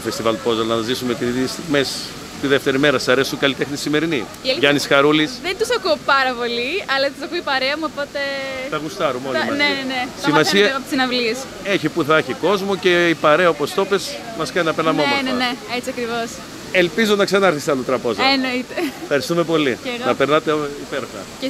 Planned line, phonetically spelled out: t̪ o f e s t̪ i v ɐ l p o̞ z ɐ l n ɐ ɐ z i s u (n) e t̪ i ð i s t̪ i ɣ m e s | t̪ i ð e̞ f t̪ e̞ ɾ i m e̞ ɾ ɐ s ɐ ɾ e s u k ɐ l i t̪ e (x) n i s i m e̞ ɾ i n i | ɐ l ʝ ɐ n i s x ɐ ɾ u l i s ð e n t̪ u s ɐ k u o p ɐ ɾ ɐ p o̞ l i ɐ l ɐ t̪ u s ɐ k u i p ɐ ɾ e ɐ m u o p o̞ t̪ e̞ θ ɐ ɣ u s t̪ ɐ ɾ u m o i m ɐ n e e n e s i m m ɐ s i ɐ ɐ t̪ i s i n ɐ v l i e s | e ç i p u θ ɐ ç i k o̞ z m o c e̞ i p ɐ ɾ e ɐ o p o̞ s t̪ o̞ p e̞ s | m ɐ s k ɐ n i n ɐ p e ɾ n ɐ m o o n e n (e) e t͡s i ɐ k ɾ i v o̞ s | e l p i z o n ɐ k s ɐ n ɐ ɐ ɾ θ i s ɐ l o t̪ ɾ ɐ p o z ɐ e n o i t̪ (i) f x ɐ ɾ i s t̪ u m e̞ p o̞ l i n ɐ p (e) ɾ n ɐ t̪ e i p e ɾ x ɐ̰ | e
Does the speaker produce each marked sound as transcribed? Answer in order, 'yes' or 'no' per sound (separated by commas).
no, yes, yes, no, yes